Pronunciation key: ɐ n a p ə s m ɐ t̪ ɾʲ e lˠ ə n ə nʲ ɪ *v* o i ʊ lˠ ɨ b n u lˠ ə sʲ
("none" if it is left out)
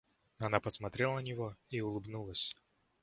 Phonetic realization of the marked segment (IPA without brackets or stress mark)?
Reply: v